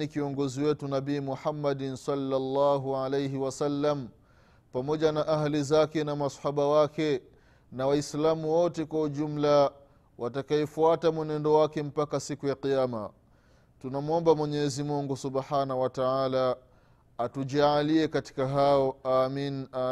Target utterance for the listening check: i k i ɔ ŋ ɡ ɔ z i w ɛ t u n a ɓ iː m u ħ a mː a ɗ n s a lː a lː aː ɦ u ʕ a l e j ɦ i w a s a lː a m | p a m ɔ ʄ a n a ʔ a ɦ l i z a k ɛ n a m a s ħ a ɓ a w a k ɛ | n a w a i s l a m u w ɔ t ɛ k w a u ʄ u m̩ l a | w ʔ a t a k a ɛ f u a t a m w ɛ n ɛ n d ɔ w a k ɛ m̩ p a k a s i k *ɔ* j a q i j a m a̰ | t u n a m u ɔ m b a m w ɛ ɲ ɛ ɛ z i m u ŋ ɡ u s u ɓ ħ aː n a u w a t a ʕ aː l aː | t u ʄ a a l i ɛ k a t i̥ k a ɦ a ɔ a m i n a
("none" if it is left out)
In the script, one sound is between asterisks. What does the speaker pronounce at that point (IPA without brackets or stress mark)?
u